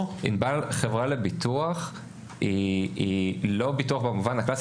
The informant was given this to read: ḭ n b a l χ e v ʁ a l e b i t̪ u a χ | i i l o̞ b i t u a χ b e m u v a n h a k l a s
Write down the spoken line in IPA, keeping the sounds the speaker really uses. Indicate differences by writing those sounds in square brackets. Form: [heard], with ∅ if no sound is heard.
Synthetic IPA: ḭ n b a l χ e v ʁ a l e b i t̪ u a χ | i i l o̞ b i t u a χ b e m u v a n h a k l a s